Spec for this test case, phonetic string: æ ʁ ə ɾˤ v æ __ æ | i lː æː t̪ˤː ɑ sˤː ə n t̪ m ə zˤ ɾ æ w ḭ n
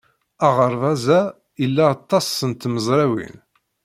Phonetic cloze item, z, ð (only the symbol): z